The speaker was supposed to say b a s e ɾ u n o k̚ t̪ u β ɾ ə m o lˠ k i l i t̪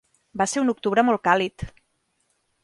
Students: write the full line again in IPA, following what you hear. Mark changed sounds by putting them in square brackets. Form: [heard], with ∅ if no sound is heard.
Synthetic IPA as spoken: b a s e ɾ u n [u] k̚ t̪ u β ɾ ə m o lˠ k [a] l i t̪